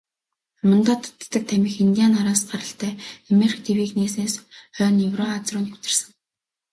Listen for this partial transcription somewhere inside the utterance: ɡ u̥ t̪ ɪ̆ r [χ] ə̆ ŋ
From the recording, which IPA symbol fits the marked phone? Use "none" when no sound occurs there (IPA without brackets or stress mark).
s